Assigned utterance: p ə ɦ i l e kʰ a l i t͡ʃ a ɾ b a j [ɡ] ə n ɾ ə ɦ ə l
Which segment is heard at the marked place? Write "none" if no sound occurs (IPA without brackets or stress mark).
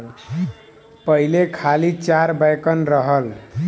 k